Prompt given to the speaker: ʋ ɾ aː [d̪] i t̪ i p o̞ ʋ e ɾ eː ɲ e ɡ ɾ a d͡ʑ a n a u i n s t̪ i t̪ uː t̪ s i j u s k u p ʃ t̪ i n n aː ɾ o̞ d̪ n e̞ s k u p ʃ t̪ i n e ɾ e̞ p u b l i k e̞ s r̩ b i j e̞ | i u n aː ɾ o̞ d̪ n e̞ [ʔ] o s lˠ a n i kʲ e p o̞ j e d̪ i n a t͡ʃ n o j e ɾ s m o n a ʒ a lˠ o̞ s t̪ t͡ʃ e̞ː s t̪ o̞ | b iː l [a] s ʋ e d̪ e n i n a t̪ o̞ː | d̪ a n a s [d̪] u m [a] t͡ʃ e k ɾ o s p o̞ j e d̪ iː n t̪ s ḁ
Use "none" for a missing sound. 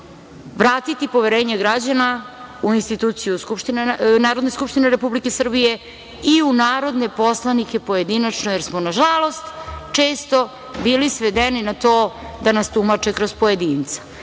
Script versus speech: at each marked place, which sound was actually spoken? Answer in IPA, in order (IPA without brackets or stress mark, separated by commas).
t̪, p, i, t̪, a